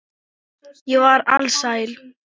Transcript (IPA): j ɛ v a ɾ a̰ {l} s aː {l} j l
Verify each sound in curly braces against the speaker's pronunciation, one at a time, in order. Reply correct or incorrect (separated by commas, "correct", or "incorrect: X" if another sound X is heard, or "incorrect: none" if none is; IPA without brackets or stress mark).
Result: correct, incorrect: none